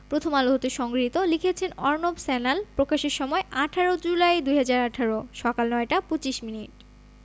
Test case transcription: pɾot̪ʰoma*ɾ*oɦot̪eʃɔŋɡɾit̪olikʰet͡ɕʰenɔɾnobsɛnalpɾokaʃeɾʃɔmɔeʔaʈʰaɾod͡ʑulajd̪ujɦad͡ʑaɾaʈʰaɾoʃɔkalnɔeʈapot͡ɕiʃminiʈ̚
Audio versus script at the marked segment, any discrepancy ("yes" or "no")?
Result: yes